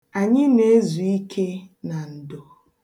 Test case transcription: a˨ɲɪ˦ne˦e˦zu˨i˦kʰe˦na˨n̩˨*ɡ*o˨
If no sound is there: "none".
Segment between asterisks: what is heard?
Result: d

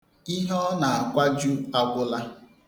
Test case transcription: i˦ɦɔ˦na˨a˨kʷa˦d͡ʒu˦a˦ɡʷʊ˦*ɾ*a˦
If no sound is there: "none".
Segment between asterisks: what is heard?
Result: l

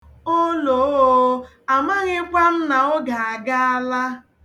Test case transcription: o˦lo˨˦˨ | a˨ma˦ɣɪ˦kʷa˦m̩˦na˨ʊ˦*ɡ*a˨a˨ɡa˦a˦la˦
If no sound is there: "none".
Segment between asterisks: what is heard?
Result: ɡ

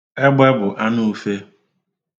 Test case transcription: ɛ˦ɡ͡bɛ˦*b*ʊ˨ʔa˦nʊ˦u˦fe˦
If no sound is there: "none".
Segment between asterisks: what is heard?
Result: b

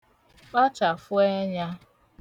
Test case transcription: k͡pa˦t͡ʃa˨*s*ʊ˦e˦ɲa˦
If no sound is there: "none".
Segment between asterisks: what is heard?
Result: f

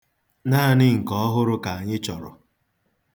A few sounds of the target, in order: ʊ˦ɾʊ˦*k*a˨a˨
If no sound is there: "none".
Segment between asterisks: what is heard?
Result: k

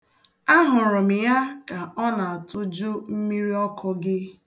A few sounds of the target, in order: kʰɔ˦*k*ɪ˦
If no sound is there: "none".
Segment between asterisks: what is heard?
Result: ɡ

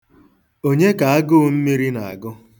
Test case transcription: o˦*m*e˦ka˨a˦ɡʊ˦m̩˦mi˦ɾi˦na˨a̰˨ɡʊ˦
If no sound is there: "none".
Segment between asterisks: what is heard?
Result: ɲ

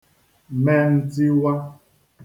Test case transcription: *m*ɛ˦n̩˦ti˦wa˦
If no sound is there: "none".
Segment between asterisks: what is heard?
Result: m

